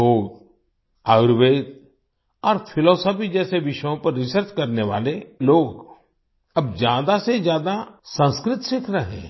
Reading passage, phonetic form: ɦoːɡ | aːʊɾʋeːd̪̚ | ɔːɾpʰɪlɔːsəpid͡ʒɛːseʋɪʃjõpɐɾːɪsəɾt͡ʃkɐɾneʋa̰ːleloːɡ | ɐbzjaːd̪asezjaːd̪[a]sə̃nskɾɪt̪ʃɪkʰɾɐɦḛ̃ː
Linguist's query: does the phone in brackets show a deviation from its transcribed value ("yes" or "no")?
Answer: no